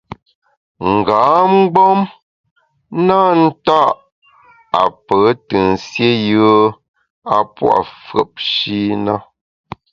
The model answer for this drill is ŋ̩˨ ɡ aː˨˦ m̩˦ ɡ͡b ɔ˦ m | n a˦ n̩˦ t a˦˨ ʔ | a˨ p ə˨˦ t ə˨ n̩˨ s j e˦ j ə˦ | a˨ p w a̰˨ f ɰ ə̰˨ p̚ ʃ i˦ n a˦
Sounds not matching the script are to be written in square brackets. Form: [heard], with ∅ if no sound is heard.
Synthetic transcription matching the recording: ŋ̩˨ ɡ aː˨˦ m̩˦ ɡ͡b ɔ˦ m | n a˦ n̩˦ t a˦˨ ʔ | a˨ p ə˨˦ t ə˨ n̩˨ s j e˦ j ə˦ | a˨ p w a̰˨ f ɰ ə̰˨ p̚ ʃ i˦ n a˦

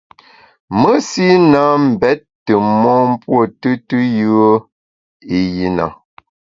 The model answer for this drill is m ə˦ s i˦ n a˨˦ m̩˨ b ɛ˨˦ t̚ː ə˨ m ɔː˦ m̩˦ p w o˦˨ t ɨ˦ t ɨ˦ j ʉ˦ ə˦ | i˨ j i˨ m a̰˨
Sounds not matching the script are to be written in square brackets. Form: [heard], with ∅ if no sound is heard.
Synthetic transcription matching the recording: m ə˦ s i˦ n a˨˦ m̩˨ b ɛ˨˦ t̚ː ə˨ m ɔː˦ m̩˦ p w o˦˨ t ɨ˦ t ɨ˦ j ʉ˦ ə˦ | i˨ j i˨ [n] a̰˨

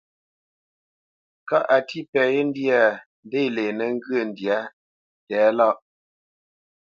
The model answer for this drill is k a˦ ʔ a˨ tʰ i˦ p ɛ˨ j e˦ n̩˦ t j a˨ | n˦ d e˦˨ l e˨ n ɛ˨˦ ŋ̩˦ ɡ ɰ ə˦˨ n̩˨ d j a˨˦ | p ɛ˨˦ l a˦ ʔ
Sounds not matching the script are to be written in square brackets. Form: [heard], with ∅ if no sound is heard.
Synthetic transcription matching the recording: k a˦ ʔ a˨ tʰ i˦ p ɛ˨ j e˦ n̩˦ [d] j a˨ | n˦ d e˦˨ l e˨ n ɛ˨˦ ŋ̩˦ ɡ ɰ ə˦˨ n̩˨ d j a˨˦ | [t] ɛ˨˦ l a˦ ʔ

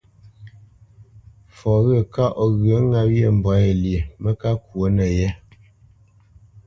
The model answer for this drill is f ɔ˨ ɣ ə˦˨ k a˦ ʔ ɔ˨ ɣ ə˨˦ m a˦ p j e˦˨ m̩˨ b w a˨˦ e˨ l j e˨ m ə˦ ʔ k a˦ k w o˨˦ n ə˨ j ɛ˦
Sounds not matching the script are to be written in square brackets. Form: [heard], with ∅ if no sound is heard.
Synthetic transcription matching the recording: f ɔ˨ ɣ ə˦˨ k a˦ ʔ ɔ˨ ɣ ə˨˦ [ŋ] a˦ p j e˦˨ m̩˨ b w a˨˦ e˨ l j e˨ m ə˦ [∅] k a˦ k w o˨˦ n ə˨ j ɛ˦

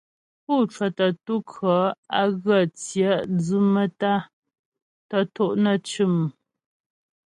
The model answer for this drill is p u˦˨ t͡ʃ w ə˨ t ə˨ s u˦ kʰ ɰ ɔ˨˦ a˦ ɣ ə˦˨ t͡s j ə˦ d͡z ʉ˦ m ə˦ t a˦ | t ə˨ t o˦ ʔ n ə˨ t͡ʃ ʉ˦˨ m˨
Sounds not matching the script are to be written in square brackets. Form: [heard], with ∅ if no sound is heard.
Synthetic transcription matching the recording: p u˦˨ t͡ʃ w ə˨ t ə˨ [t] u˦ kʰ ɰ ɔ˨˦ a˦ ɣ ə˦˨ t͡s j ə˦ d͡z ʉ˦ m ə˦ t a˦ | t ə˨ t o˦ ʔ n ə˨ t͡ʃ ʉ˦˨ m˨

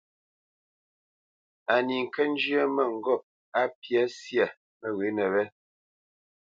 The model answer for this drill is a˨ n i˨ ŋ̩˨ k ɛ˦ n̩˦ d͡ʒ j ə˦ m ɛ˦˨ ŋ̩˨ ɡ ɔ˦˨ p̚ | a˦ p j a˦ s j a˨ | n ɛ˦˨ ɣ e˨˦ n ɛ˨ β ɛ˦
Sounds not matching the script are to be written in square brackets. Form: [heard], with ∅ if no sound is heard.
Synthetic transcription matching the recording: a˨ n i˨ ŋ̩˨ k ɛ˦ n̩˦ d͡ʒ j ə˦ m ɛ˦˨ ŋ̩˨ ɡ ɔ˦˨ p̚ | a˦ p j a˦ s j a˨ | [m] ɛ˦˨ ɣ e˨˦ n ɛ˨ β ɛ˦

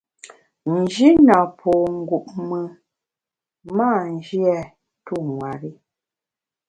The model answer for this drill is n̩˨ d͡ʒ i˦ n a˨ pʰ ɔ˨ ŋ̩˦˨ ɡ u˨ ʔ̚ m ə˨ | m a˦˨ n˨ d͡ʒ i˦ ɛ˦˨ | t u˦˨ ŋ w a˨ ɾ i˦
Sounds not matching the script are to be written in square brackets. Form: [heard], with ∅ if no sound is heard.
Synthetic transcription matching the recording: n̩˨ d͡ʒ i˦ n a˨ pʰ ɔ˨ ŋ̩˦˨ ɡ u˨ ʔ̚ m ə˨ | m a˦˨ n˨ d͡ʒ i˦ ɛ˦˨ | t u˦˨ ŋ w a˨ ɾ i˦

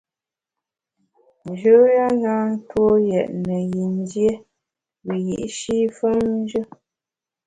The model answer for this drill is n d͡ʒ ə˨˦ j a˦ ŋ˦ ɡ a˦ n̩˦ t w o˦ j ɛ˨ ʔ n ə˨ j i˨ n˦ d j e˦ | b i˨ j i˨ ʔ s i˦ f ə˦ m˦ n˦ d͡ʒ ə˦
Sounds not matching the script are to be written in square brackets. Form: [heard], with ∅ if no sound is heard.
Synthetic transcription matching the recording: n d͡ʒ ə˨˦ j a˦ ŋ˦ ɡ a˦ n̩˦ t w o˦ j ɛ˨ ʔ n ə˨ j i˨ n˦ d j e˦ | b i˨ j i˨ ʔ [ʃ] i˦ f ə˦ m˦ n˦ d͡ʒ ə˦

